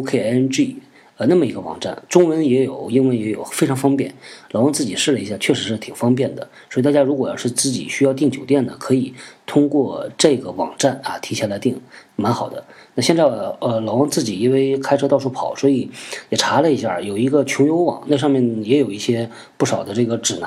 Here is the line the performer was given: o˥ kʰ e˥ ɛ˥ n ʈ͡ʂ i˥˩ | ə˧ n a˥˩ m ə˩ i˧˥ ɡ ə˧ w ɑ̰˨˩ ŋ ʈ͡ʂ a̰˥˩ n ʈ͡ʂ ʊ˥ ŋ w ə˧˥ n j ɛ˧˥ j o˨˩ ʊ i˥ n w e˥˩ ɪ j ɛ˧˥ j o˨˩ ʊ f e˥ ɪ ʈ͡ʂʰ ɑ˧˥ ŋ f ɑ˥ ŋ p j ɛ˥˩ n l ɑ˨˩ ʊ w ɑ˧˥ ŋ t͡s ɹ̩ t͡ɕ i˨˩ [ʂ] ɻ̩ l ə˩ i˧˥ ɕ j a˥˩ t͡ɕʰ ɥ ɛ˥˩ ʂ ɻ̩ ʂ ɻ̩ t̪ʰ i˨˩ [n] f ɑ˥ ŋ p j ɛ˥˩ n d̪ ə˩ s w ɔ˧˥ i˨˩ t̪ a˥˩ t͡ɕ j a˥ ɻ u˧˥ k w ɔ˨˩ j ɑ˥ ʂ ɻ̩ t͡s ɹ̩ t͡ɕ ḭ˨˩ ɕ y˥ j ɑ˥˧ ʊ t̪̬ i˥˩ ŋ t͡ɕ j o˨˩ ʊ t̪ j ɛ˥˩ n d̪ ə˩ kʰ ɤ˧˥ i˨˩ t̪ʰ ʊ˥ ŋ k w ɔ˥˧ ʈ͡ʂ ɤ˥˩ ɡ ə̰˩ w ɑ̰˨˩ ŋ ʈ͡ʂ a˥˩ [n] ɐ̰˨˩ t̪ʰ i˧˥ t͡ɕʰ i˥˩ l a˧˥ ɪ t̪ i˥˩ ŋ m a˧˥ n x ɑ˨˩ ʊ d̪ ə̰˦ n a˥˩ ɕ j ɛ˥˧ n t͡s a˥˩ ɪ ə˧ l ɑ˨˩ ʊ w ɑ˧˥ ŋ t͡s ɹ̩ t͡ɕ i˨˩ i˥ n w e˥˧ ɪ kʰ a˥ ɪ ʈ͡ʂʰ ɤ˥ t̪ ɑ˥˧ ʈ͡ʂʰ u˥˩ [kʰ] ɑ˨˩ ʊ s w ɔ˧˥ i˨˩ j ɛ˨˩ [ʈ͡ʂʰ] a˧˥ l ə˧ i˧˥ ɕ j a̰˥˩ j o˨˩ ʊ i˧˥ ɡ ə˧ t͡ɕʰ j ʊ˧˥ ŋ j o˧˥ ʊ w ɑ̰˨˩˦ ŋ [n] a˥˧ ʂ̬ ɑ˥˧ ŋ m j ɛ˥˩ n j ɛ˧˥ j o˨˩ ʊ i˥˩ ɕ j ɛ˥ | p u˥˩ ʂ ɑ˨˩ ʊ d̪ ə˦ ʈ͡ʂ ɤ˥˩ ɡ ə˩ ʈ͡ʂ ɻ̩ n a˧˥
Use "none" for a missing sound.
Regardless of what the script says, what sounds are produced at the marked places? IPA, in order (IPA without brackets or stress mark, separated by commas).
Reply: ʂ, ŋ, n, pʰ, ʈ͡ʂʰ, n